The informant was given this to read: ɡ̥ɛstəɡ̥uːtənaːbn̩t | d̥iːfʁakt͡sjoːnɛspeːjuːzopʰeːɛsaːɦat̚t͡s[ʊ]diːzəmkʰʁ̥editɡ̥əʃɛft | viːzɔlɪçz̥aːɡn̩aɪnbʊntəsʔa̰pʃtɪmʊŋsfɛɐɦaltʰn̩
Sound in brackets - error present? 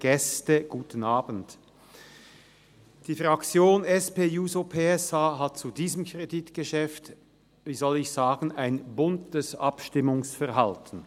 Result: yes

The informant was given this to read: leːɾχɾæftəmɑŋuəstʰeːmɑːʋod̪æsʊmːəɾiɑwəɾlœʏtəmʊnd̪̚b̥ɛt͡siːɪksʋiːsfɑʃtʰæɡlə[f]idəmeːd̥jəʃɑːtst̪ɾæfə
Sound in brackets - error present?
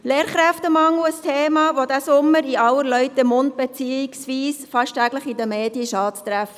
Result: yes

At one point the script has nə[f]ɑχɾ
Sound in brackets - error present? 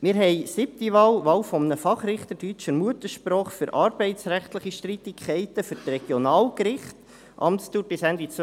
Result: no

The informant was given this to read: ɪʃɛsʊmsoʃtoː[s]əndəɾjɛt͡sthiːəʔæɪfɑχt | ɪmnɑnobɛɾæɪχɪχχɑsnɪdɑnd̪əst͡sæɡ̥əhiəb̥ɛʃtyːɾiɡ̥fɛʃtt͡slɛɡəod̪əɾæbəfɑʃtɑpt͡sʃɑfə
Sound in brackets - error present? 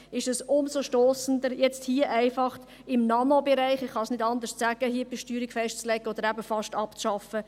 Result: no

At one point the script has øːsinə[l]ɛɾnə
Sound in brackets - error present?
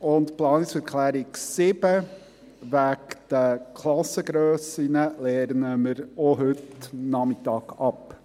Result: no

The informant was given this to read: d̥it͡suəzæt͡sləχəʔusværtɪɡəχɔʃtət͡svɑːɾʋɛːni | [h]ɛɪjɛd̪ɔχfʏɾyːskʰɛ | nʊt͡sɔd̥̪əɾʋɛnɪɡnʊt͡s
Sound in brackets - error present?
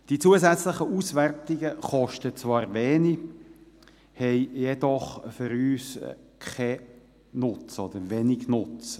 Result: no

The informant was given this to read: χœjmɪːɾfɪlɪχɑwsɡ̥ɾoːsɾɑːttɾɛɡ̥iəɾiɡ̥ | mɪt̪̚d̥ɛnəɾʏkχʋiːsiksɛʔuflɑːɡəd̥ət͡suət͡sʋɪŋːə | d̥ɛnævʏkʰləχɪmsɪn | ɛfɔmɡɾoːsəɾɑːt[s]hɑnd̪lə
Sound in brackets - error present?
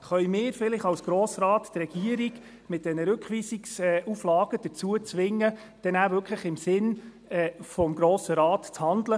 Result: yes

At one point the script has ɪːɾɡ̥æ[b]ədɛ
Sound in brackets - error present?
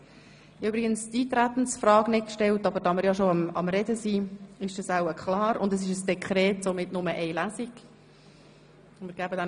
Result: no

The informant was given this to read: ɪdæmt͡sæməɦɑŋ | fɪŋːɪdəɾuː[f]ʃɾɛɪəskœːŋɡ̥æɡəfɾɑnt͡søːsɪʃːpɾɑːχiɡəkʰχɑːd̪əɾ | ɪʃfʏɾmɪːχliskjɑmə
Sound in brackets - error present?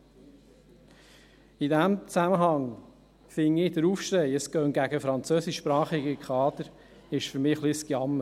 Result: no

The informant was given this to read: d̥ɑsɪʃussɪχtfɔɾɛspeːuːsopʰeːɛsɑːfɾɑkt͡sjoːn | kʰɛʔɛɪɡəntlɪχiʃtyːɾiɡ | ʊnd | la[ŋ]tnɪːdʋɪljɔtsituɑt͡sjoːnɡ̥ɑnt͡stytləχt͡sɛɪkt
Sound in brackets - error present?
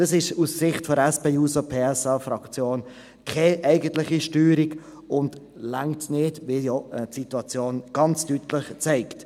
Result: no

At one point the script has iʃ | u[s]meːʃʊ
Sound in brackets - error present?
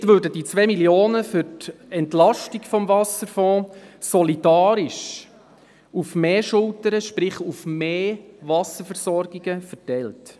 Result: yes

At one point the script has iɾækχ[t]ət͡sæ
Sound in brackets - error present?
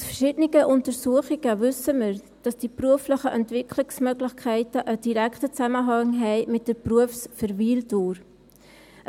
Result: no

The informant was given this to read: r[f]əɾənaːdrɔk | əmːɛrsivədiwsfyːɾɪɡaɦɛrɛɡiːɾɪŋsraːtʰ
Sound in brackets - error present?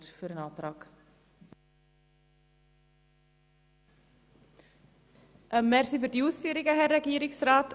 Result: no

